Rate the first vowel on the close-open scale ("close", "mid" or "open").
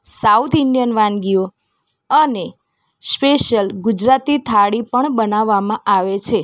open